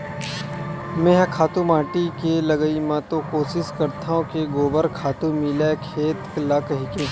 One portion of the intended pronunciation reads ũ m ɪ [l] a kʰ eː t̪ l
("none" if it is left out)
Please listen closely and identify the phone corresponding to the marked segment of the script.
l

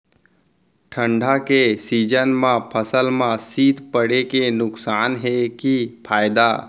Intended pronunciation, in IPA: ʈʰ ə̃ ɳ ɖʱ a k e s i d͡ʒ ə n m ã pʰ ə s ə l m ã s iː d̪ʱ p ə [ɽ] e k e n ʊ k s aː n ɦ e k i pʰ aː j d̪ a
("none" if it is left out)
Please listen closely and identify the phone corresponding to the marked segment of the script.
ɽ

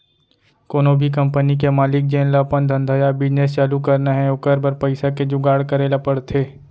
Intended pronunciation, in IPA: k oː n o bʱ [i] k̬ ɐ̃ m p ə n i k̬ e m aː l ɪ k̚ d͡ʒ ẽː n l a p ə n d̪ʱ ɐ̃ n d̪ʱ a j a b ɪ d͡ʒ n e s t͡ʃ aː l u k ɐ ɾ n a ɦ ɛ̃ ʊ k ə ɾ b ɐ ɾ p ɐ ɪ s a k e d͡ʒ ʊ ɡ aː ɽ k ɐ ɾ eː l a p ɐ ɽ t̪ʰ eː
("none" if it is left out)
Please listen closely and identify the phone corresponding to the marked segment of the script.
i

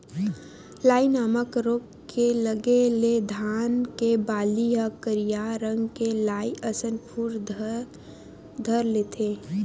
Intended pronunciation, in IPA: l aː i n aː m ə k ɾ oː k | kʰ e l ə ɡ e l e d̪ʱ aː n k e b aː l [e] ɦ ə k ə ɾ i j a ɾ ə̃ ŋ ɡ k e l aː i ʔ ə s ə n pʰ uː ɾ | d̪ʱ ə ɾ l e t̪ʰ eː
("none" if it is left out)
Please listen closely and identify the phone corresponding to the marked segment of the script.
i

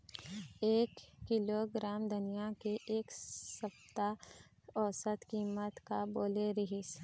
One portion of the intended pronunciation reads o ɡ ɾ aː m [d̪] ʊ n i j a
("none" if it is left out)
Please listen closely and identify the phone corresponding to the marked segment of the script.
d̪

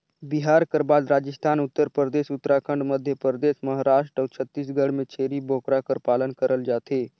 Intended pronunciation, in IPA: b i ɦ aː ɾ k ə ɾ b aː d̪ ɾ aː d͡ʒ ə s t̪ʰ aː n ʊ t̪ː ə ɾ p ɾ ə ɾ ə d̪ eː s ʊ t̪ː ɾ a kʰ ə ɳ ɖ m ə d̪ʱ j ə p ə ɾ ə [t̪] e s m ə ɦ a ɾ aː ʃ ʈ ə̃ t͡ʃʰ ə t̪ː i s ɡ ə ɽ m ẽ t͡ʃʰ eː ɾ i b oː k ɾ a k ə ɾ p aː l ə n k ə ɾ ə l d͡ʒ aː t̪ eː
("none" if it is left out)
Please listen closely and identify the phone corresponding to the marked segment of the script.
d̪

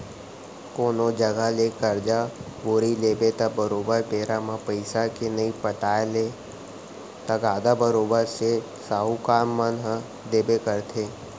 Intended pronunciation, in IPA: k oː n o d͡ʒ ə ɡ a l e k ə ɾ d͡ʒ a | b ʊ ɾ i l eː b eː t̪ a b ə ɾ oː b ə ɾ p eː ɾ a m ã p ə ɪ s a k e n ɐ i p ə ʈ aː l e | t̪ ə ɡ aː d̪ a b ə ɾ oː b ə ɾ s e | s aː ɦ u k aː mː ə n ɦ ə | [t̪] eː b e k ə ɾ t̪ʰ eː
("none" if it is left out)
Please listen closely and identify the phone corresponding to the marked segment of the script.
d̪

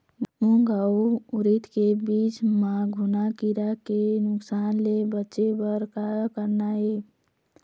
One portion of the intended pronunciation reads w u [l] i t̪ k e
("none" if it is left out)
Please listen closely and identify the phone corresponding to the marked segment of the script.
ɾ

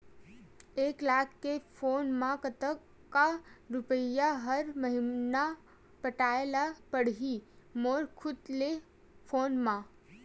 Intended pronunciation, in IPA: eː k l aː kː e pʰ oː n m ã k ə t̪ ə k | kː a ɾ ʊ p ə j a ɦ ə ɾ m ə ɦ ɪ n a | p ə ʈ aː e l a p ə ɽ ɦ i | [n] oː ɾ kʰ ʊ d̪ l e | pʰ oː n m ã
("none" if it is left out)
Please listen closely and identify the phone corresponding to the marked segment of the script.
m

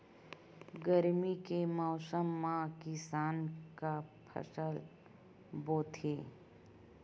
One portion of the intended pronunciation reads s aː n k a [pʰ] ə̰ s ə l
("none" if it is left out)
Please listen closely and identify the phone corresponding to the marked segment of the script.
pʰ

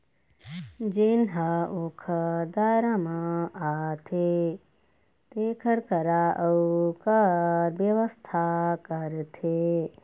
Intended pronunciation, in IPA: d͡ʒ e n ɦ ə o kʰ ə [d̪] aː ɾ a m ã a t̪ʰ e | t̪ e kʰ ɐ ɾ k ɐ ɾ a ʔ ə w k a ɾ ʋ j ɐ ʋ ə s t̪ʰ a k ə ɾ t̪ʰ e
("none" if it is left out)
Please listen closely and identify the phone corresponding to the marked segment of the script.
d̪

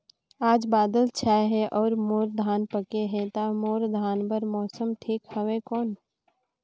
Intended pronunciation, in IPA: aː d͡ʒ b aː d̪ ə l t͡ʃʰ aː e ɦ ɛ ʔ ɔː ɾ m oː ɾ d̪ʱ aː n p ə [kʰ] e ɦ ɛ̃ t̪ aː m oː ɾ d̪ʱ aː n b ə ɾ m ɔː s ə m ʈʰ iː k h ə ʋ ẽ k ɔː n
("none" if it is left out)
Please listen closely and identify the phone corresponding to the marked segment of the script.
k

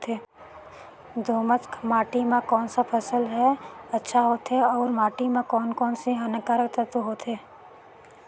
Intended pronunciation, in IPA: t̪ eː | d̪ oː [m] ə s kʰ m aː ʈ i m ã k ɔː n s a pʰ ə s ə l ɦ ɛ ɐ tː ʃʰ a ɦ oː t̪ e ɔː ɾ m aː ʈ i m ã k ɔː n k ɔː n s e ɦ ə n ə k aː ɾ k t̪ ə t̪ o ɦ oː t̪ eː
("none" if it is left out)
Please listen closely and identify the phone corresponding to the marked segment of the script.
m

